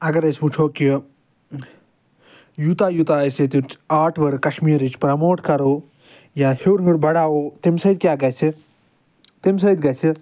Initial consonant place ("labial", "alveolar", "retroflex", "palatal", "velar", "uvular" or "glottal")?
velar